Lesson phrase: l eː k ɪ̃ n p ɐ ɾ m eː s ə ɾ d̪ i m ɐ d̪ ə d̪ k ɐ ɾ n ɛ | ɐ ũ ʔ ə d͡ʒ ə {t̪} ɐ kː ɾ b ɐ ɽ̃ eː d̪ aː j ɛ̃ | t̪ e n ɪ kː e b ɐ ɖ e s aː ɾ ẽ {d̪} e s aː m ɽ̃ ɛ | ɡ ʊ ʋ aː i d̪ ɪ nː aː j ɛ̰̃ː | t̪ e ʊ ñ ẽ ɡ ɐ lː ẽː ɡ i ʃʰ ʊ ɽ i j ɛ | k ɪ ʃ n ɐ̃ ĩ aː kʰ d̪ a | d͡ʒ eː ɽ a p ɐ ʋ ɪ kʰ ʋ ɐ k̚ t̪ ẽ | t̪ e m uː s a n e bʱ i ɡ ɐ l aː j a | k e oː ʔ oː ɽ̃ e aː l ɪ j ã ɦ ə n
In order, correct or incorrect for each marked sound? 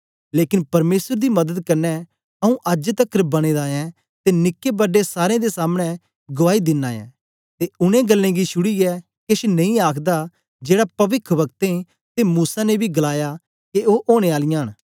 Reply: correct, correct

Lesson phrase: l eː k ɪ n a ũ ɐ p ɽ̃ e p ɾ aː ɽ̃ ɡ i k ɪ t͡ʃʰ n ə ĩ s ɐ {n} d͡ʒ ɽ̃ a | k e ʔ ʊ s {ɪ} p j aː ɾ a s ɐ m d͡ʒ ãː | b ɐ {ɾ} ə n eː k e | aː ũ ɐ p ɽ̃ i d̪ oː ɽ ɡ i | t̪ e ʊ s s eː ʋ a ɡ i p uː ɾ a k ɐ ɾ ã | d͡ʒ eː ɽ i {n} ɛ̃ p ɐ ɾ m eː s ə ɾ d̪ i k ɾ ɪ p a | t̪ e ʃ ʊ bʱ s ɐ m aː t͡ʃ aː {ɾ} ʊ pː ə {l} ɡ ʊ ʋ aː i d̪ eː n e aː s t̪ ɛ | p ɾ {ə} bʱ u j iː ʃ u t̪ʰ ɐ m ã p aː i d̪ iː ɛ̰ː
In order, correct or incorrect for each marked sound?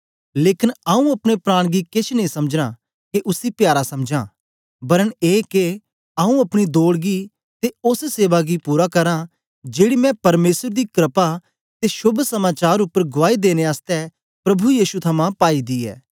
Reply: incorrect: m, incorrect: i, correct, incorrect: m, correct, incorrect: ɾ, incorrect: ɐ

